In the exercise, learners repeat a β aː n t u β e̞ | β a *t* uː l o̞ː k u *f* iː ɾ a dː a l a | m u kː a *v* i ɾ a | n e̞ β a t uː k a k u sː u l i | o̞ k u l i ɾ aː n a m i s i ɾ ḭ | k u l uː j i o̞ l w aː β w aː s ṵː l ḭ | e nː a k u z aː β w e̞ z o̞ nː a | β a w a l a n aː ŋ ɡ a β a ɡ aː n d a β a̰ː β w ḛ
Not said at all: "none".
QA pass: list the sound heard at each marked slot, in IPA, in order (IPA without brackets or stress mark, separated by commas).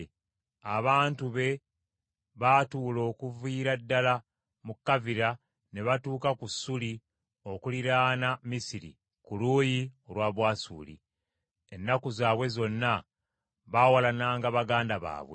t, v, v